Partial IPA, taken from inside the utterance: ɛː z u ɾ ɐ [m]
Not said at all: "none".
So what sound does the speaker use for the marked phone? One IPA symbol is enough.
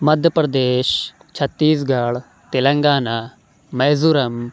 m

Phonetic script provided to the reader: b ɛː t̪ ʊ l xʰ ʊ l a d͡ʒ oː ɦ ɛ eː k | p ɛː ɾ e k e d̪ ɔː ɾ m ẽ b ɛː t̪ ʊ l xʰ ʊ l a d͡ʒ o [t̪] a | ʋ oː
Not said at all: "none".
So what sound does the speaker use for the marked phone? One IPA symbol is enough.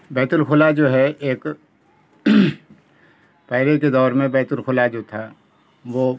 t̪ʰ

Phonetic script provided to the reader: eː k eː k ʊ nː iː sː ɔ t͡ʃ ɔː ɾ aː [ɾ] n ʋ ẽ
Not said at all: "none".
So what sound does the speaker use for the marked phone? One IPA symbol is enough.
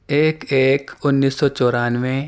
none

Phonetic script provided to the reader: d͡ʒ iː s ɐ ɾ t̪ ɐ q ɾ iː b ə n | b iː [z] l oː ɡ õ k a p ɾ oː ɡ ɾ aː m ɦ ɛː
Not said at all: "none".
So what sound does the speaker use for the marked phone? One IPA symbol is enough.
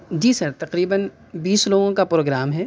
s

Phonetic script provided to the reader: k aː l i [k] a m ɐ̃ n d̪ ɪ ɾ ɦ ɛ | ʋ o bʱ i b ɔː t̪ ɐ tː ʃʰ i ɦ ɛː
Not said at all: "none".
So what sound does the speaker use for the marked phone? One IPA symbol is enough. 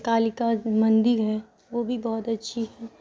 k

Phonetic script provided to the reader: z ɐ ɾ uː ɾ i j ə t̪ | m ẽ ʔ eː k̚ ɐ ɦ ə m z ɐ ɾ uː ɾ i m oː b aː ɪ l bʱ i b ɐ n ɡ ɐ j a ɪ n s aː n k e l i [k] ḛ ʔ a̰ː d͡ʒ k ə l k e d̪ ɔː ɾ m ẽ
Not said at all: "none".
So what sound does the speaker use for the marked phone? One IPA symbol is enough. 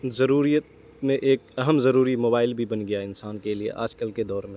none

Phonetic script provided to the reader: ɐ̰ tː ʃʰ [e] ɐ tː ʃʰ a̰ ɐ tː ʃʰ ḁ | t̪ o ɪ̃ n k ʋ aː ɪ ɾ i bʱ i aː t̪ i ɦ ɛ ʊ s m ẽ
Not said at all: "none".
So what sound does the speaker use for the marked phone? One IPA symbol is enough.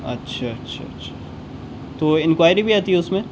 a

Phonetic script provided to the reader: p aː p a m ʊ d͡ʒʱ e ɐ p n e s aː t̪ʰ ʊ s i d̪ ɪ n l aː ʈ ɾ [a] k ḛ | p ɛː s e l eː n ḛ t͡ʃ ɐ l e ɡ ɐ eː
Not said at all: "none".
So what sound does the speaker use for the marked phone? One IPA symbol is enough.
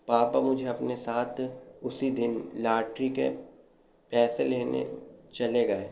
i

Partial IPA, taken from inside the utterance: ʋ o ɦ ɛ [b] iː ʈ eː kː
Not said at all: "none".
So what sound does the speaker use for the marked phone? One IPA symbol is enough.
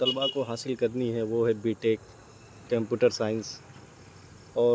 b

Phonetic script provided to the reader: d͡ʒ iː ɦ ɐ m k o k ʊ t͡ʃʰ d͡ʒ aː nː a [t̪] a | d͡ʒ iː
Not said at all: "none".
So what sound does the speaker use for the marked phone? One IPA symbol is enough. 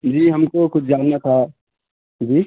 t̪ʰ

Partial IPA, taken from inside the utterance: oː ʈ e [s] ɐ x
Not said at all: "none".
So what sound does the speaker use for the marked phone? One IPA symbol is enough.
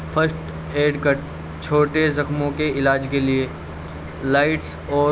z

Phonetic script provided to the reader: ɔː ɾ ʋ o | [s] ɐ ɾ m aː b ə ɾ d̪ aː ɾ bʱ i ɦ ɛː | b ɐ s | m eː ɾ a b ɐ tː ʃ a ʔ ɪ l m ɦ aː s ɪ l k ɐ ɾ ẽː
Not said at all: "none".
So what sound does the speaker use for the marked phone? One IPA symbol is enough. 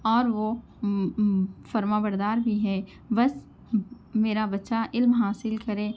f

